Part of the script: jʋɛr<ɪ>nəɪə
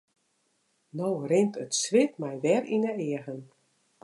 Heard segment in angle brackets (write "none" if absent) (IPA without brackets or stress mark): i